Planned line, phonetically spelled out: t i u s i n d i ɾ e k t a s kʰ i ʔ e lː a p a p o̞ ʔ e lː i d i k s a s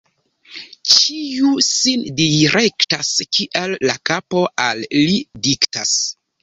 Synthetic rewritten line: t͡ʃ i u s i n d i ɾ e k t a s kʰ i ʔ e lː a k a p o̞ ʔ a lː i d i k t a s